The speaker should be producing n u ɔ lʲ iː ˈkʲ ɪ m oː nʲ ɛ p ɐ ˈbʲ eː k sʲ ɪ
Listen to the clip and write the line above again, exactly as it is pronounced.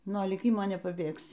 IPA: n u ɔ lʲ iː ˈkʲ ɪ m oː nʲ ɛ p ɐ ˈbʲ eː k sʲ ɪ